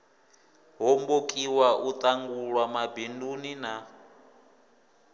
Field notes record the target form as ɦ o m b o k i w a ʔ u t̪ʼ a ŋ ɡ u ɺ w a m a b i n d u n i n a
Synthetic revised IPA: ɦ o m b o kʼ i w a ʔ u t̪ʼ a ŋ ɡ u ɺ w a m a b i n d u n i n a